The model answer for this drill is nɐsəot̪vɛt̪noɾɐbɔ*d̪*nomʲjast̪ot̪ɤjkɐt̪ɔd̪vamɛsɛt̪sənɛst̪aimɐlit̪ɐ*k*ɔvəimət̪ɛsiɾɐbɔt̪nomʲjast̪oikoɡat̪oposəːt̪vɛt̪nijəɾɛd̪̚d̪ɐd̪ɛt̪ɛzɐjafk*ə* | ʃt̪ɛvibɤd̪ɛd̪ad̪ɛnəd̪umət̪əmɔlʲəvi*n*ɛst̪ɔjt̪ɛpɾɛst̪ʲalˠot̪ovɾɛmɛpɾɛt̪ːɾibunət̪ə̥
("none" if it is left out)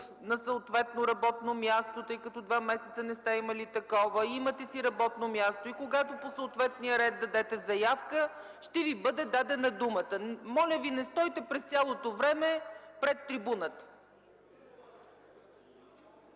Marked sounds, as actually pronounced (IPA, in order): t̪, k, ə, n

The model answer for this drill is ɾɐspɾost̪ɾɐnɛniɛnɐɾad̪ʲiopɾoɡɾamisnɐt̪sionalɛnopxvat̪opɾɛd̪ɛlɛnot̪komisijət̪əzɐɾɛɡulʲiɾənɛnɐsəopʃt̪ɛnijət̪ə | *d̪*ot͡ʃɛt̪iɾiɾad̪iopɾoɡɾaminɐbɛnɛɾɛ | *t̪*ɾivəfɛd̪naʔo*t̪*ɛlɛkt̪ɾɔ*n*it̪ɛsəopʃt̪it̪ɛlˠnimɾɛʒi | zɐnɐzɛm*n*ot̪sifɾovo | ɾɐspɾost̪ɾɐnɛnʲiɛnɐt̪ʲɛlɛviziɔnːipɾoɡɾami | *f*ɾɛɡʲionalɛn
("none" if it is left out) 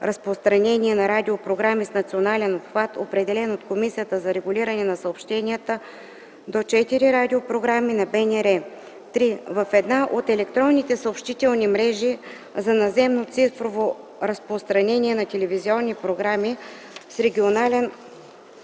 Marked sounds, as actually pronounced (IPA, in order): d̪, t̪, t̪, nː, n, s

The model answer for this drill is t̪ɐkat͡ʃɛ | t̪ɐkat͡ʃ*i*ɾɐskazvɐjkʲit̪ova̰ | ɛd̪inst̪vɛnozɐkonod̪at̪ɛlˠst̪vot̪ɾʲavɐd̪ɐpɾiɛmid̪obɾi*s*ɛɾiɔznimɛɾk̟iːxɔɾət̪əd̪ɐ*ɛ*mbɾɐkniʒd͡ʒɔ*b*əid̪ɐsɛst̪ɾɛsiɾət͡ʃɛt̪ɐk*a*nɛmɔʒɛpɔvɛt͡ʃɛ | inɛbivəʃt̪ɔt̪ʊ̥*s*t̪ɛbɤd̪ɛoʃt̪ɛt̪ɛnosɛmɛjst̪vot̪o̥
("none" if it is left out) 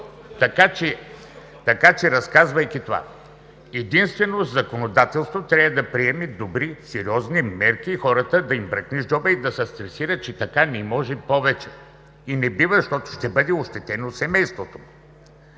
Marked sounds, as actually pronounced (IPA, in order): ɛ, s, i, b, a, ʃ

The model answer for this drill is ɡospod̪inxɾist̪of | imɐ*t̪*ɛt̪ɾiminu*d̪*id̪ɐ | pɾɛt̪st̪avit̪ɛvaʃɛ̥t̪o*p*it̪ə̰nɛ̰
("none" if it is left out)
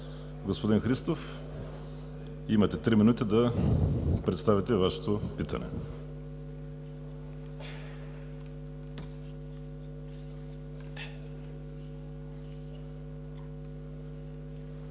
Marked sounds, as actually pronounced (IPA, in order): t̪, t̪, p

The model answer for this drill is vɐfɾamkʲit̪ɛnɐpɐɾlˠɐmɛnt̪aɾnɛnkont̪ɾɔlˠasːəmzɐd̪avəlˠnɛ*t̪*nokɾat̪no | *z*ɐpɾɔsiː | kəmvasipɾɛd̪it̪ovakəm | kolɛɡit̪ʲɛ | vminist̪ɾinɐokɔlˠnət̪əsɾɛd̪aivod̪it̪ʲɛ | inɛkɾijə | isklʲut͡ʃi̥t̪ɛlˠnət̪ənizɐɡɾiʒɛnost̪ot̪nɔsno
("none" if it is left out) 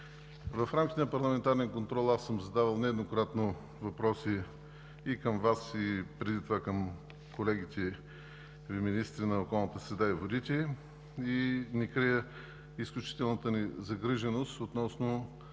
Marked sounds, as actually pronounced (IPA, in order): d̪, v

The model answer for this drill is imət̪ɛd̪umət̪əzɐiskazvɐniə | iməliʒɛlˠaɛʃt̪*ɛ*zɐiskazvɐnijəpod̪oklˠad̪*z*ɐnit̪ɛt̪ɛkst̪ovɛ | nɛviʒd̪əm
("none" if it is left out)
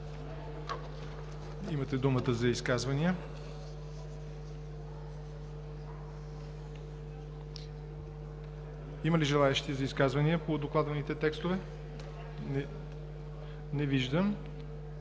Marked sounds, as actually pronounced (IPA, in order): i, v

